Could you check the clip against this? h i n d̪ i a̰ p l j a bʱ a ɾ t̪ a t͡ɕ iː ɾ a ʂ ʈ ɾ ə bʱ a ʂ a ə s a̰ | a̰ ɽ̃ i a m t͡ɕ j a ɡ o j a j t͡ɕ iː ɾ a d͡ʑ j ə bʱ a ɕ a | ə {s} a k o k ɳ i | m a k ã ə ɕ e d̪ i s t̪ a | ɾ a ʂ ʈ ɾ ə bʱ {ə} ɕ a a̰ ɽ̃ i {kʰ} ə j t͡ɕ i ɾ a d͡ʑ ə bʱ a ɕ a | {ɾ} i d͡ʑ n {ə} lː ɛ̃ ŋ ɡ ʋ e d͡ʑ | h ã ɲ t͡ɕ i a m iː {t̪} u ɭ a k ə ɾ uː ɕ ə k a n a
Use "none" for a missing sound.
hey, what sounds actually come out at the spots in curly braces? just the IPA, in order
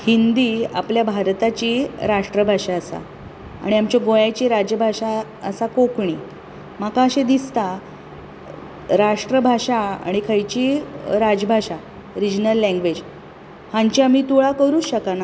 s, a, kʰ, ɾ, ə, t̪

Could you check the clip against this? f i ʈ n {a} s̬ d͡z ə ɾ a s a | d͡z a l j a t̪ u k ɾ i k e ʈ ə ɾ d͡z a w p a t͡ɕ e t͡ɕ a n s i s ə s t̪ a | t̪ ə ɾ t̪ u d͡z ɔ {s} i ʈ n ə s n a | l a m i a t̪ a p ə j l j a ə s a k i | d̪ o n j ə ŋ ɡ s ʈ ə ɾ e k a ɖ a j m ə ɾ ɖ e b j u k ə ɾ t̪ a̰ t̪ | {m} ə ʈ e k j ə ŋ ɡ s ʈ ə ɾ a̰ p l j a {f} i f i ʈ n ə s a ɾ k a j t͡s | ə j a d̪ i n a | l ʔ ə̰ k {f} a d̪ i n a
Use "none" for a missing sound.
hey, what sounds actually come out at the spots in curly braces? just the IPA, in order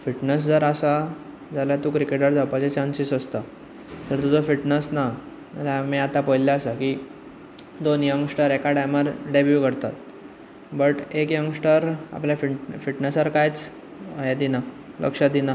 ə, f, b, f, ʂ

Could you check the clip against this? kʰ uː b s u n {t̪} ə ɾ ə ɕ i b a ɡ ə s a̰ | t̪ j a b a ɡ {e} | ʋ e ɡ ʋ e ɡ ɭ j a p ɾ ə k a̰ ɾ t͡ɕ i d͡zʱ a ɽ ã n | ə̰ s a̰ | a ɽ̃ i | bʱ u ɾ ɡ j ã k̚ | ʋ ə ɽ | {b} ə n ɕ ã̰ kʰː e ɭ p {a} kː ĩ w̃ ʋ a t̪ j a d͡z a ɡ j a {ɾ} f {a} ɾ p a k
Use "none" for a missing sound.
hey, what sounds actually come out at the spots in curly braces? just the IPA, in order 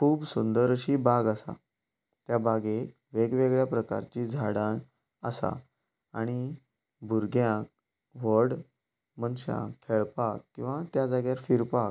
d̪, e, m, a, ɾ, i

